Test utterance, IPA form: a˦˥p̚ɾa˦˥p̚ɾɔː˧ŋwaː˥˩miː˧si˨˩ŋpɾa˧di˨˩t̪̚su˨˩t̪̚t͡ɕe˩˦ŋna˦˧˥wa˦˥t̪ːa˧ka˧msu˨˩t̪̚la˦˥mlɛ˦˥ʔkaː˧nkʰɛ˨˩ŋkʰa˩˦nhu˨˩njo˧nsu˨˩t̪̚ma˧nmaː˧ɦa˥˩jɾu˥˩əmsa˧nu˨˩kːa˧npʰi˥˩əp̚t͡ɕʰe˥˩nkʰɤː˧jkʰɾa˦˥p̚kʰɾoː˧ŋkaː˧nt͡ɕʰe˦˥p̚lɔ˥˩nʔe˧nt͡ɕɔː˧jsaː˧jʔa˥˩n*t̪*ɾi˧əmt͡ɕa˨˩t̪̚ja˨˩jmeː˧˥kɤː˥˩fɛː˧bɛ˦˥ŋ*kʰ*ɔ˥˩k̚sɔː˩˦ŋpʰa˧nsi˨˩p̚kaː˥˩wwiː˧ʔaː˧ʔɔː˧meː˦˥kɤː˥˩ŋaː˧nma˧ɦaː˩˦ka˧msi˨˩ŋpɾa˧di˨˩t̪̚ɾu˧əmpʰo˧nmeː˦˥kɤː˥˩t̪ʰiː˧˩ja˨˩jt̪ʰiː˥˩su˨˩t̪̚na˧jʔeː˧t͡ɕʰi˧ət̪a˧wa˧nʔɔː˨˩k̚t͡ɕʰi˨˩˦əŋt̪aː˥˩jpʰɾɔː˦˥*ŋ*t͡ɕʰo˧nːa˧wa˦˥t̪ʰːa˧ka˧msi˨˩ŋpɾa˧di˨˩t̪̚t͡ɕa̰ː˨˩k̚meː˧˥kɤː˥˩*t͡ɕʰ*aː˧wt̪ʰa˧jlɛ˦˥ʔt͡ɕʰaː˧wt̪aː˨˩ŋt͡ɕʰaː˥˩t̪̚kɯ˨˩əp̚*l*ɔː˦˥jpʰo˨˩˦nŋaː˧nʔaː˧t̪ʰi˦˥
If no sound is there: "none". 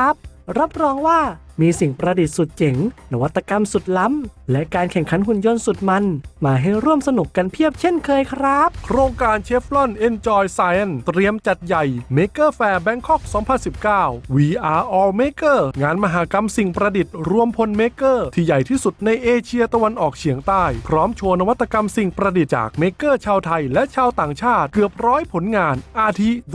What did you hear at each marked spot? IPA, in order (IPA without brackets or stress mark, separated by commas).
t̪, kʰ, m, t͡ɕʰ, ɾ